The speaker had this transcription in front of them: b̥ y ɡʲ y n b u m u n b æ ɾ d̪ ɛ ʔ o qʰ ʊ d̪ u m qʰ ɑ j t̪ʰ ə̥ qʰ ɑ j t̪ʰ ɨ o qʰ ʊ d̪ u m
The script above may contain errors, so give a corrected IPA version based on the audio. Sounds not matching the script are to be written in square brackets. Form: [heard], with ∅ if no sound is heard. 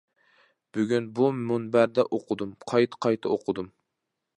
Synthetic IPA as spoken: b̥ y ɡʲ y n b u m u n b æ ɾ d̪ ɛ ʔ o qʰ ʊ d̪ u m qʰ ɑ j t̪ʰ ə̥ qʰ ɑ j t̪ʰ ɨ o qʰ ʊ d̪ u m